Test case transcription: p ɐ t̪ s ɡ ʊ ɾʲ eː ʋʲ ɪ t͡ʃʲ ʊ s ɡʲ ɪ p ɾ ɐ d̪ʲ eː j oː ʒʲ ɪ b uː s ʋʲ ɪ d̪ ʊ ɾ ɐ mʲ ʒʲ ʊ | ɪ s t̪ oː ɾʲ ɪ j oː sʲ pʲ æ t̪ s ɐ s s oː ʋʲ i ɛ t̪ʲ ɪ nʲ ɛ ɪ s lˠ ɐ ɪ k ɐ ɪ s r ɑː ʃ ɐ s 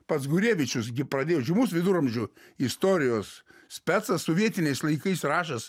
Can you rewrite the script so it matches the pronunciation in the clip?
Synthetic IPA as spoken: p ɐ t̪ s ɡ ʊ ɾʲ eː ʋʲ ɪ t͡ʃʲ ʊ s ɡʲ ɪ p ɾ ɐ d̪ʲ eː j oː ʒʲ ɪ m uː s ʋʲ ɪ d̪ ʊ ɾ ɐ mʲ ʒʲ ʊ | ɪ s t̪ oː ɾʲ ɪ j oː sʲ pʲ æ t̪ s ɐ s s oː ʋʲ i ɛ t̪ʲ ɪ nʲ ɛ ɪ s lˠ ɐ ɪ k ɐ ɪ s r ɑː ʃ ɐ s